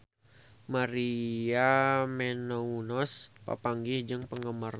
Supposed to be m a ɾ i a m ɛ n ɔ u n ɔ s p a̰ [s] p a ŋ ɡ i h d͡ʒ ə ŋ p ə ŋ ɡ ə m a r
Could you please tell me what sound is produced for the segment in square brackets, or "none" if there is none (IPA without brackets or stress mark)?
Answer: none